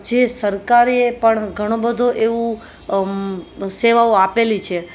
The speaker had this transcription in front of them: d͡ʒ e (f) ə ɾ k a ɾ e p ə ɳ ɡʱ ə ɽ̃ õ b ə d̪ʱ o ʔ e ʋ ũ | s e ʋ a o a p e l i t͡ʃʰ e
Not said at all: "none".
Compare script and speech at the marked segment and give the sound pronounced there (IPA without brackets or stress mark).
s